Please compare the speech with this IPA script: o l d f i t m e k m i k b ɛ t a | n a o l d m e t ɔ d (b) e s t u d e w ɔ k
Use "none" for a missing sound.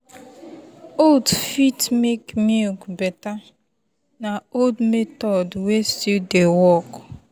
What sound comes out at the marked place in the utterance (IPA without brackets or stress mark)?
w